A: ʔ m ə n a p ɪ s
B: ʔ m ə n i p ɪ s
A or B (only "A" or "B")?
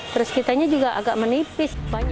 B